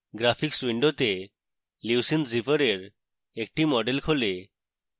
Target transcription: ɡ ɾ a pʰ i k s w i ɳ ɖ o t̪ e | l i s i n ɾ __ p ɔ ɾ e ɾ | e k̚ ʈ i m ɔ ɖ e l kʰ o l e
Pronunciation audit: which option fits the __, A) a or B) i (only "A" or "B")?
B